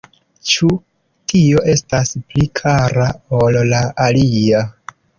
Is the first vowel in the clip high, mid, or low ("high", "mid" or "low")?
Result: high